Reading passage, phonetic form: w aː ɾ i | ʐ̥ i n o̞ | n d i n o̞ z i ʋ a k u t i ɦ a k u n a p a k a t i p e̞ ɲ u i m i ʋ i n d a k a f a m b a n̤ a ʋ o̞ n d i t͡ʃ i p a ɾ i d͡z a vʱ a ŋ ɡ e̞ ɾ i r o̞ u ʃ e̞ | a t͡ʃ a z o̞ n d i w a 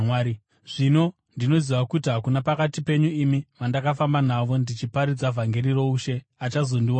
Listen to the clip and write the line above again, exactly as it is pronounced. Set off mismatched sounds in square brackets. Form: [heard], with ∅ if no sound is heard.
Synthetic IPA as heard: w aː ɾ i | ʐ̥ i n o̞ | n d i n o̞ z i ʋ a k u t i ɦ a k u n a p a k a t i p e̞ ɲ u i m i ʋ [a] n d a k a f a m b a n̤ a ʋ o̞ n d i t͡ʃ i p a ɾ i d͡z a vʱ a ŋ ɡ e̞ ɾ i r o̞ u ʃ e̞ | a t͡ʃ a z o̞ n d i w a